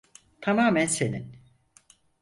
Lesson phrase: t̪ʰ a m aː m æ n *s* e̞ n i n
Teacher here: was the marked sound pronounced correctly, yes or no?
yes